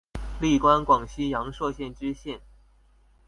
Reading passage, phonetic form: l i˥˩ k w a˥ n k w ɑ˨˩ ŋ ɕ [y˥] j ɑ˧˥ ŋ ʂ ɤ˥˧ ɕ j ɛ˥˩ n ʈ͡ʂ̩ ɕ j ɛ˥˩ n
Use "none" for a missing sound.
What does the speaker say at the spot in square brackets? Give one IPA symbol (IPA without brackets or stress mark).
i˥